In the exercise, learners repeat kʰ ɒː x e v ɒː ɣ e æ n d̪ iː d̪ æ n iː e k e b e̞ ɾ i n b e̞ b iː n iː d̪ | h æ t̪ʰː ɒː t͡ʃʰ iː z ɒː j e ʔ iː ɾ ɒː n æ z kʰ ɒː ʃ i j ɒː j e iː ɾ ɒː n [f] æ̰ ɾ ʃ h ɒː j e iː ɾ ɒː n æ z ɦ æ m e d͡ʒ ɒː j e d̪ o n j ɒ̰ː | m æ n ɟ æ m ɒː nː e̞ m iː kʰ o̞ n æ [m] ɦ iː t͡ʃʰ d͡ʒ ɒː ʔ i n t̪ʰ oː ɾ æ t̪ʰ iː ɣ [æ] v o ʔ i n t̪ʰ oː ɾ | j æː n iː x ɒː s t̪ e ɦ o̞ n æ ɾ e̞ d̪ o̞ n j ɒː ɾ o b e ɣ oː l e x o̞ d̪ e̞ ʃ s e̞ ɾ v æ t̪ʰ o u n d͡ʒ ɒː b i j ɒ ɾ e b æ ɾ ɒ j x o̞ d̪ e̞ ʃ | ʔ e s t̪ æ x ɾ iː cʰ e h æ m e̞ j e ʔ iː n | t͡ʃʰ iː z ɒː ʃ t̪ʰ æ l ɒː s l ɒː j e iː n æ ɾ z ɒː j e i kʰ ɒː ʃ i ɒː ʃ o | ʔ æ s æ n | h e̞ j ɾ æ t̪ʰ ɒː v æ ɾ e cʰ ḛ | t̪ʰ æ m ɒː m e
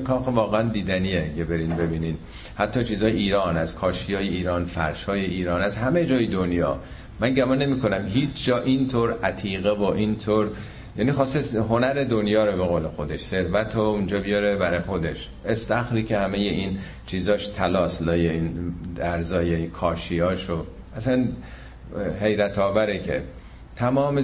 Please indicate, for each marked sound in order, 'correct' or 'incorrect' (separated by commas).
correct, correct, incorrect